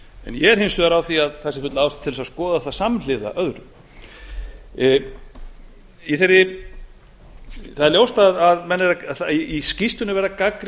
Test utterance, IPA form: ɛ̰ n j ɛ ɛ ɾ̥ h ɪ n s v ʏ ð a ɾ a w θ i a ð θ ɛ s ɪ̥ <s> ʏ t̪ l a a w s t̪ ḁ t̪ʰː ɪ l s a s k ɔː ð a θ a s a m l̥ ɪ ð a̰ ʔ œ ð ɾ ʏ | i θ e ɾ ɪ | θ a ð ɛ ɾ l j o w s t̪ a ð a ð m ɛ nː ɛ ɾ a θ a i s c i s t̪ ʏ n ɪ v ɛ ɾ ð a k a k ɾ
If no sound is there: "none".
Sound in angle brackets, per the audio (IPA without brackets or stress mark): f